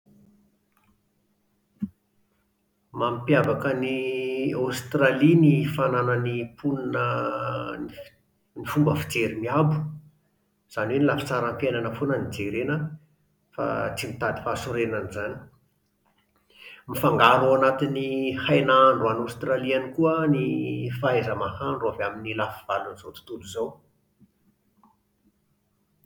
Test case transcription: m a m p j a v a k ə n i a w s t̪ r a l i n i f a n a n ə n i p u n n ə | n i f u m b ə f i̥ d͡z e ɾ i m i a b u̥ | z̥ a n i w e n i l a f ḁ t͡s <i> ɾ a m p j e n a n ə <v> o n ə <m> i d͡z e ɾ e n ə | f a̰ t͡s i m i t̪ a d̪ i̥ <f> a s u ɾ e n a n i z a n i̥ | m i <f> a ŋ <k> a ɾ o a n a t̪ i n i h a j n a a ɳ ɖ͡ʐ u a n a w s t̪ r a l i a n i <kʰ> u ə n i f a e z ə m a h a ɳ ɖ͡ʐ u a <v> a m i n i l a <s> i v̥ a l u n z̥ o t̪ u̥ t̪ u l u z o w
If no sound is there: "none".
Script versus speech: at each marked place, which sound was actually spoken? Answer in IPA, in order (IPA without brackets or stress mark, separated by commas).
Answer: a, f, n, f, f, ɡ, k, v, f